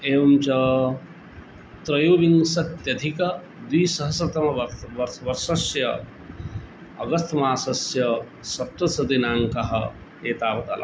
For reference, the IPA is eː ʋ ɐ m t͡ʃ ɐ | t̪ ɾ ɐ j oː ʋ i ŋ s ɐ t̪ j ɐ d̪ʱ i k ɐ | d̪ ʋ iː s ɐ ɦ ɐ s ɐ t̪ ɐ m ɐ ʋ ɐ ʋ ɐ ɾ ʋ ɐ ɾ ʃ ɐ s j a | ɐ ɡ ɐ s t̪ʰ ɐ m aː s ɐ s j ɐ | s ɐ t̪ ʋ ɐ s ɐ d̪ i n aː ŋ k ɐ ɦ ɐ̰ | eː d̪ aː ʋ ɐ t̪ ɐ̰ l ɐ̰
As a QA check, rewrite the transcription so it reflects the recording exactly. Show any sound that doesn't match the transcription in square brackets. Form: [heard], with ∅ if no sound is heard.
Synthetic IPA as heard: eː ʋ ɐ m t͡ʃ ɐ | t̪ ɾ ɐ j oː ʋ i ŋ s ɐ t̪ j ɐ d̪ʱ i k ɐ | d̪ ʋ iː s ɐ ɦ ɐ s ɐ t̪ ɐ m ɐ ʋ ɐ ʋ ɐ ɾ ʋ ɐ ɾ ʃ ɐ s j [ɐ] | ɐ ɡ ɐ s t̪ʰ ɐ m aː s ɐ s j ɐ | s ɐ t̪ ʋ ɐ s ɐ d̪ i n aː ŋ k ɐ ɦ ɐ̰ | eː [t̪] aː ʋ ɐ t̪ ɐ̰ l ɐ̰